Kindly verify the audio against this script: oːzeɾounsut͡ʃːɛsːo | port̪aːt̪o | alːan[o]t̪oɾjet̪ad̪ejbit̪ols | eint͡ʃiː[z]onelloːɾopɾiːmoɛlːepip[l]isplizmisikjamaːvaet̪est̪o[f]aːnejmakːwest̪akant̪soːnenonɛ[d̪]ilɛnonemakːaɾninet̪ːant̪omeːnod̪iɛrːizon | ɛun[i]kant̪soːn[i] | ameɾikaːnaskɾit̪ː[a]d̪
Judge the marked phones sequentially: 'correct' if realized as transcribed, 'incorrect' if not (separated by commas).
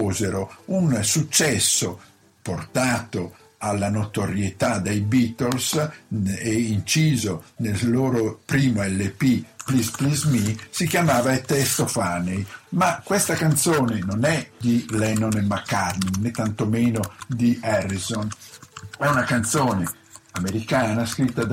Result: correct, correct, correct, correct, correct, incorrect, incorrect, correct